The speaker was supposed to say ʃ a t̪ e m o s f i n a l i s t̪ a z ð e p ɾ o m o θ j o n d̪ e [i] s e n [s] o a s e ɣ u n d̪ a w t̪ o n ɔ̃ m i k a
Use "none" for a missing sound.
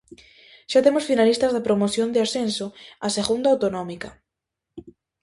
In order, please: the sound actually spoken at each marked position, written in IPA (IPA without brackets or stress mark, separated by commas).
a, s